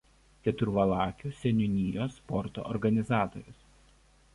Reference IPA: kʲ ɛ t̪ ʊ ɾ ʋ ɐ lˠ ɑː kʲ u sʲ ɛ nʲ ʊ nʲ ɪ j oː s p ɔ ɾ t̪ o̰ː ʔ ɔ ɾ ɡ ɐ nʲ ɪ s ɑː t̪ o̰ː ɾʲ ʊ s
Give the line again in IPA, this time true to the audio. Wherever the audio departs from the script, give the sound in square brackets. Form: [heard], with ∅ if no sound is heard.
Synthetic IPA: kʲ ɛ t̪ ʊ ɾ ʋ ɐ lˠ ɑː kʲ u sʲ ɛ nʲ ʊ nʲ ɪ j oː s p ɔ ɾ t̪ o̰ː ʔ ɔ ɾ ɡ ɐ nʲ ɪ [z] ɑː t̪ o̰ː ɾʲ ʊ s